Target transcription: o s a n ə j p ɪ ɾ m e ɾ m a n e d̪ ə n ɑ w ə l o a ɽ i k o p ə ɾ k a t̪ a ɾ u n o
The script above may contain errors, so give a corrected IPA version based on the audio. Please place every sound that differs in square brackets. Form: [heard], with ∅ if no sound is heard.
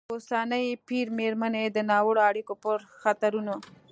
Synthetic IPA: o s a n ə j p [i] ɾ m e ɾ m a n e d̪ ə n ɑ w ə [ɽ] o a ɽ i k o p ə ɾ [x] a t̪ a ɾ u n o